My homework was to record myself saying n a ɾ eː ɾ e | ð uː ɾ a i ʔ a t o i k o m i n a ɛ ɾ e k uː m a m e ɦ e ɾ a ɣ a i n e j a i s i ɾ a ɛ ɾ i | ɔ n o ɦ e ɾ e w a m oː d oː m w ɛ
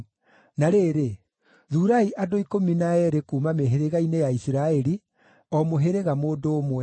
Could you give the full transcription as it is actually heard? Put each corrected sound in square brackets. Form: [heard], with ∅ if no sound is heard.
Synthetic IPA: n a ɾ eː ɾ e | ð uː ɾ a i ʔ a [d] o i k o m i n a ɛ ɾ e k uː m a m e ɦ e ɾ [e] ɣ a i n e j a i s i ɾ a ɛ ɾ i | ɔ [m] o ɦ e ɾ e [ɣ] a m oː d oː m w ɛ